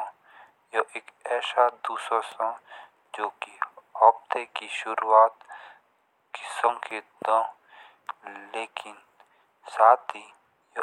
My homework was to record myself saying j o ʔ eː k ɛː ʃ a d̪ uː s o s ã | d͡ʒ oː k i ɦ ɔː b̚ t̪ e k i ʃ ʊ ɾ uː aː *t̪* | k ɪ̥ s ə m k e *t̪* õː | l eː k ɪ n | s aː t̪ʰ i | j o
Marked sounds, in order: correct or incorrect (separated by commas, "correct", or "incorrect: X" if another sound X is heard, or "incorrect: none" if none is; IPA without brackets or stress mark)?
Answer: correct, incorrect: d̪